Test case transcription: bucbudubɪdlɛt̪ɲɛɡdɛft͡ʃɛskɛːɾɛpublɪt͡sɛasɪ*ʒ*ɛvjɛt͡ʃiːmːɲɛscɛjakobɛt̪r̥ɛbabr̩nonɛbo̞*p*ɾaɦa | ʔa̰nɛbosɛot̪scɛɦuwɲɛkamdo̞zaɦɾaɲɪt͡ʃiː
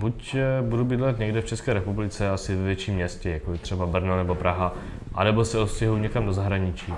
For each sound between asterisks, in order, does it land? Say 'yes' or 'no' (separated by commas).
no, yes